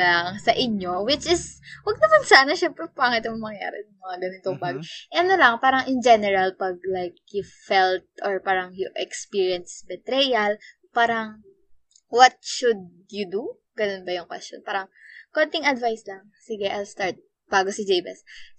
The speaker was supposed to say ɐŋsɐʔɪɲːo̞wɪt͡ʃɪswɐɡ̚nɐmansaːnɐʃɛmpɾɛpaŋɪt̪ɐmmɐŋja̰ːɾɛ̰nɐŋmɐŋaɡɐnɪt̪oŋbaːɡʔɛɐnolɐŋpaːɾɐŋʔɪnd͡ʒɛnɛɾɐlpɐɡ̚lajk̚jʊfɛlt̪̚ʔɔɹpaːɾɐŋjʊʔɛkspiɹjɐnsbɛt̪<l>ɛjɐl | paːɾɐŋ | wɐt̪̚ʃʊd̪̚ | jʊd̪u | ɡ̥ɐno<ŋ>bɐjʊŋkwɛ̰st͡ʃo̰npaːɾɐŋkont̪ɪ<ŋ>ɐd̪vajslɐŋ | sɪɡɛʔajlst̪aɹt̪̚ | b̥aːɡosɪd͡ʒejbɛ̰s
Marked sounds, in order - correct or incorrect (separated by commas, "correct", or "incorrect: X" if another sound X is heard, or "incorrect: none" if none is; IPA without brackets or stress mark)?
incorrect: ɾ, incorrect: n, correct